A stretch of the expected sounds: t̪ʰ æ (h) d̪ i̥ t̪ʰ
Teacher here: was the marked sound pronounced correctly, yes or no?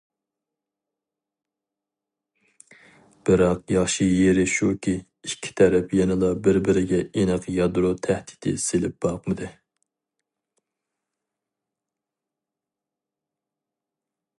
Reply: yes